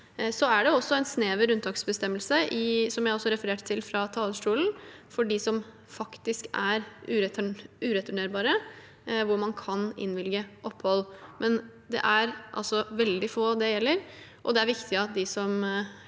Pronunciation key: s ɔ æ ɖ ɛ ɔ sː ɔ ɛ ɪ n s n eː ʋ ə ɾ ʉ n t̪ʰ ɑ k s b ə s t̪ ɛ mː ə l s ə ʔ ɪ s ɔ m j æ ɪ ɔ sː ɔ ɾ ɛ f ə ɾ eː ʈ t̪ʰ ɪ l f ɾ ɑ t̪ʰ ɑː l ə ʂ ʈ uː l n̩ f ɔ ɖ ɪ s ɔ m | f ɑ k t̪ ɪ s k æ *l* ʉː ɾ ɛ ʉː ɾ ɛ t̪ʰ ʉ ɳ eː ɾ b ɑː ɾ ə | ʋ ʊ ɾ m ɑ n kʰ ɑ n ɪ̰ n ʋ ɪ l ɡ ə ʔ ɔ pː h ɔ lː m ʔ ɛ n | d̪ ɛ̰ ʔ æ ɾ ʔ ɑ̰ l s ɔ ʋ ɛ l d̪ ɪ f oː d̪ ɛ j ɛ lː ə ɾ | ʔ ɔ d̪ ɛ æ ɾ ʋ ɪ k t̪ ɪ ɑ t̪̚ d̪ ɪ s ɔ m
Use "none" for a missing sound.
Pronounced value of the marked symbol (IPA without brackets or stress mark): ɾ